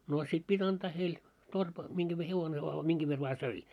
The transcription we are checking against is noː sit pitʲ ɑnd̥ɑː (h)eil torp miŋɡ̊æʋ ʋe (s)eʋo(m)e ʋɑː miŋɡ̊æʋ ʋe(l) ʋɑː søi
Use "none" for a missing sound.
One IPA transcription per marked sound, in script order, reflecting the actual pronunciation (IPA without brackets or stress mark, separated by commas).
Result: h, h, n, r